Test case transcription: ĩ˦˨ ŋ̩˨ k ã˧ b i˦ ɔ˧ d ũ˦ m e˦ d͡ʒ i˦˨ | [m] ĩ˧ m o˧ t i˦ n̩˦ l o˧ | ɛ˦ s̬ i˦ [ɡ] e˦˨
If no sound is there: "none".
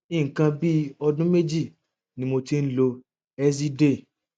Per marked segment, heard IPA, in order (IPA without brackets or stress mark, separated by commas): n, d